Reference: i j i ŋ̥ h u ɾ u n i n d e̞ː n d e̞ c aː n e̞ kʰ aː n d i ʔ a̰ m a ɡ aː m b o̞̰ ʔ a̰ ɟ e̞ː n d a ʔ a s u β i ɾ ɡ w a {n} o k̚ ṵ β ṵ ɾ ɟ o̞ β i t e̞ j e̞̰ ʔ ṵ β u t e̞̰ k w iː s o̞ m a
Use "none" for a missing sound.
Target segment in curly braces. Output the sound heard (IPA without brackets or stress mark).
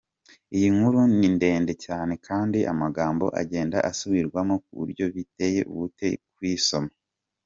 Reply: m